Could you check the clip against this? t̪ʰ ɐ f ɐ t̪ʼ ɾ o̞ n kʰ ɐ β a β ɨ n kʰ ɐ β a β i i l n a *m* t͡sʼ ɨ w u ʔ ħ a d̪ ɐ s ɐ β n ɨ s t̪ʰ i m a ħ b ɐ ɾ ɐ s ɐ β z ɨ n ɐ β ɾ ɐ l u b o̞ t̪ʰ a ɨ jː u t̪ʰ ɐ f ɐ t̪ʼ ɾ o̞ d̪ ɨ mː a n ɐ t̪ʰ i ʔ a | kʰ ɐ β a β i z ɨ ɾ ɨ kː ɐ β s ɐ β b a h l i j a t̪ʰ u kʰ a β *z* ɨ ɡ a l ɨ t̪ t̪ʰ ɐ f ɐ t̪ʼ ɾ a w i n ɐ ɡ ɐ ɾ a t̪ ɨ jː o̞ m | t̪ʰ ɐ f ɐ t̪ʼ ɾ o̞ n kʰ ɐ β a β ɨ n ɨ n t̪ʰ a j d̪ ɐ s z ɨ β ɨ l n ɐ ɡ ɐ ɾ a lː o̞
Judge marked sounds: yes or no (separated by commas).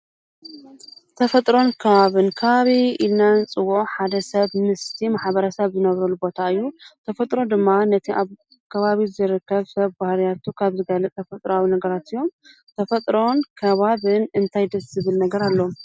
no, yes